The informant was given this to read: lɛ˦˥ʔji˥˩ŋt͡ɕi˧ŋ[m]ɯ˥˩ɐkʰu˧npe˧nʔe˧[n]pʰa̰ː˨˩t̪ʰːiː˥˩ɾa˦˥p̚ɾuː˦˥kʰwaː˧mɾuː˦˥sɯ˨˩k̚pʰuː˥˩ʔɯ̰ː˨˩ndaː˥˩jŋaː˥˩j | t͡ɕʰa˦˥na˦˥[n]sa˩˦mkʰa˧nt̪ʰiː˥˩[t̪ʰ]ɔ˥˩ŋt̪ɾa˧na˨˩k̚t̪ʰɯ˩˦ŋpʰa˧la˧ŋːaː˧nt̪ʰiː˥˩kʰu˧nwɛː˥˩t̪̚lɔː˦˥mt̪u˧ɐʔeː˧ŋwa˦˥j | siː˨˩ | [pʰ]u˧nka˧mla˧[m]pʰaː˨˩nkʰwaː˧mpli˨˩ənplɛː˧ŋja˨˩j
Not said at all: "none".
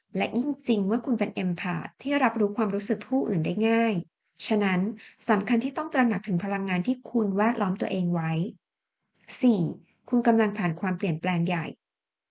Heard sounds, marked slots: m, m, n, t̪, kʰ, ŋ

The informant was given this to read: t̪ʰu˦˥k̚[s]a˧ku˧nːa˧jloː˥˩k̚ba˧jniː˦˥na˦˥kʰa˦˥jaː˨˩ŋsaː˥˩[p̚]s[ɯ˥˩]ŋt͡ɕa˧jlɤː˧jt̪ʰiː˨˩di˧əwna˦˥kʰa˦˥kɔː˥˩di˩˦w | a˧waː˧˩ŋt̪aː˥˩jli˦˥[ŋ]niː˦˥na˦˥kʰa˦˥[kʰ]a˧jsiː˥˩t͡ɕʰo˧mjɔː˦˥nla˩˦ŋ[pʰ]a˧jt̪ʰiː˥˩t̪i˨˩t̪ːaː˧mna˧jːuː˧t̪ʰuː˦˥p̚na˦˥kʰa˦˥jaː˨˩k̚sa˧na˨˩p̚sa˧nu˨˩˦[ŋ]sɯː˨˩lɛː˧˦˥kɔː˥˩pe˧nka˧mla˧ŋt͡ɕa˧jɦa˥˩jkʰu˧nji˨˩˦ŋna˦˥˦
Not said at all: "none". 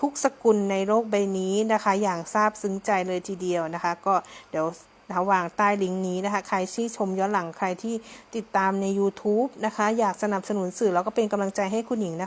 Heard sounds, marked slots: s, p̚, ɯ˨˦, ŋ, kʰ, kʰ, n

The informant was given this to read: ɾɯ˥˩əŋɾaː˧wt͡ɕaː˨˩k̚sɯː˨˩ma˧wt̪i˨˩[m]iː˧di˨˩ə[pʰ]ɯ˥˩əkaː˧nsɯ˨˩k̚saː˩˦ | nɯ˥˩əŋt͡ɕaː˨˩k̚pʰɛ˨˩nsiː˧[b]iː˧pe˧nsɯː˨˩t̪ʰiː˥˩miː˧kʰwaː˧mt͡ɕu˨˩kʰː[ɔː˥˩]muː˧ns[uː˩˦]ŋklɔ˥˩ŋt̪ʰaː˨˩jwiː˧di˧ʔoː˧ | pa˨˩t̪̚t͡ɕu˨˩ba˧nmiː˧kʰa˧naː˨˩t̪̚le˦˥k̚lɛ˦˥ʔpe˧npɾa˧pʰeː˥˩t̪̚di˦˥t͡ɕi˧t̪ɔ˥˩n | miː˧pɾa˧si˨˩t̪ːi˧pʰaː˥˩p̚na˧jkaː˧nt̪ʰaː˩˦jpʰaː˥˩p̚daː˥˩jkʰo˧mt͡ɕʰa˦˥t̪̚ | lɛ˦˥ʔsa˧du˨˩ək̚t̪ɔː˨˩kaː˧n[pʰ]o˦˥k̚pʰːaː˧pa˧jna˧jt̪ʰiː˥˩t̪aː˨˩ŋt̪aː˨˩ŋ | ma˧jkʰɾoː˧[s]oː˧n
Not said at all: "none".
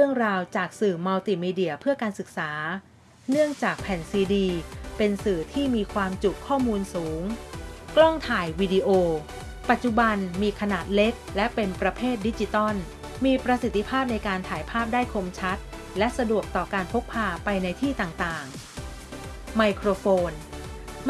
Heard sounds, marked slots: m, pʰ, d, ɔː˥˩, uː˩˦, pʰ, f

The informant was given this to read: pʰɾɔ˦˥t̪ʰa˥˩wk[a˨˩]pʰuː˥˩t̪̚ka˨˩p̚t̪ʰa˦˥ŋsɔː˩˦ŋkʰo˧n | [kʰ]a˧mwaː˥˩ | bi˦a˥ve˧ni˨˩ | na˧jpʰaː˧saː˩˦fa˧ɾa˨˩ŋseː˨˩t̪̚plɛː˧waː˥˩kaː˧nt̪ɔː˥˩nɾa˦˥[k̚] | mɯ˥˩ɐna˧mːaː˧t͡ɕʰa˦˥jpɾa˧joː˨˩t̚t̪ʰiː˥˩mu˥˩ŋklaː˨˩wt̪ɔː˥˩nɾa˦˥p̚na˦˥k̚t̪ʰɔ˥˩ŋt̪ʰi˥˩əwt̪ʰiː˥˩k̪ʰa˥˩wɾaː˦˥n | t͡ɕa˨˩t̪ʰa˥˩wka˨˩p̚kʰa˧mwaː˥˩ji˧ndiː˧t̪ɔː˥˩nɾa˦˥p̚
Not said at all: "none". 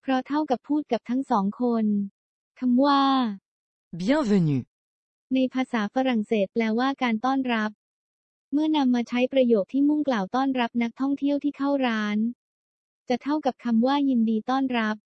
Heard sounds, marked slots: a˨˩, kʰ, p̚

